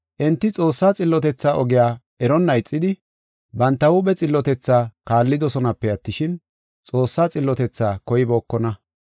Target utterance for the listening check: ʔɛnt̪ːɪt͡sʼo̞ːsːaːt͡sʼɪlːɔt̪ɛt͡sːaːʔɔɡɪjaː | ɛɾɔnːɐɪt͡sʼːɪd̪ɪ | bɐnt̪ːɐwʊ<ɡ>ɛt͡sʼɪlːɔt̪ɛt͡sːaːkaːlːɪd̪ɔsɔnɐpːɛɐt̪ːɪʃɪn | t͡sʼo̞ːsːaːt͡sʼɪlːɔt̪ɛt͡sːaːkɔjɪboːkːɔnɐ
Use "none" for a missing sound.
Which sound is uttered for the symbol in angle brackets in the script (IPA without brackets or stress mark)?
b